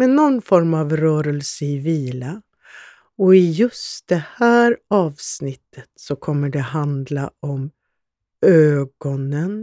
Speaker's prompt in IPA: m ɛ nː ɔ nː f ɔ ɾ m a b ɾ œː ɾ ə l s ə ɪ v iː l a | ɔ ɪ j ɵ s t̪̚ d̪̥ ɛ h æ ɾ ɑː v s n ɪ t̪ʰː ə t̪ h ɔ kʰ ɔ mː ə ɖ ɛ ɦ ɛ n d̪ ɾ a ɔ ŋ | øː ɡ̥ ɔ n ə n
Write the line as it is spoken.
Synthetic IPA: m ɛ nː ɔ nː f ɔ ɾ m a v ɾ œː ɾ ə l s ə ɪ v iː l a | ɔ ɪ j ɵ s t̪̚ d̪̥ ɛ h æː ɾ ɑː v s n ɪ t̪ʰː ə t̪ s ɔ kʰ ɔ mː ə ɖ ɛ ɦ a n d̪ l a ɔ m | øː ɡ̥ ɔ n ə n